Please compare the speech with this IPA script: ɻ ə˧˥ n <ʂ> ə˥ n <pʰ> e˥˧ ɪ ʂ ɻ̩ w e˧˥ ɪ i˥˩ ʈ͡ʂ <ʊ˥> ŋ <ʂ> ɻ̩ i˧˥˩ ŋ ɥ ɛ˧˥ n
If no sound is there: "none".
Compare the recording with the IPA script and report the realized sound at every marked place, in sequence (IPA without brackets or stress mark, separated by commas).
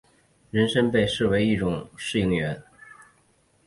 ʂ, p, ʊ˨˩, ʂ